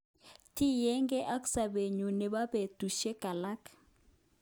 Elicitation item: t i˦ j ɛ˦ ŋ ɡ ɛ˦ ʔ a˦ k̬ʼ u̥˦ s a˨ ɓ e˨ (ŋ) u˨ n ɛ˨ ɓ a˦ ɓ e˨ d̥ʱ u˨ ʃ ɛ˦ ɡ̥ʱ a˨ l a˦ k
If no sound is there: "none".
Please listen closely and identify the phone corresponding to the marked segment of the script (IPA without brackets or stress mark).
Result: ɲ